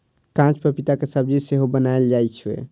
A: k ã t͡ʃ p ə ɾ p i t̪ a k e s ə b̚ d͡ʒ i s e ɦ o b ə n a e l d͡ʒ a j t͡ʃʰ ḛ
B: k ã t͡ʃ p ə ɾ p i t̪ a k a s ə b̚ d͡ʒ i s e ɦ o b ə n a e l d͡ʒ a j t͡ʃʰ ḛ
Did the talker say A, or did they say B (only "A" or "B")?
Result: A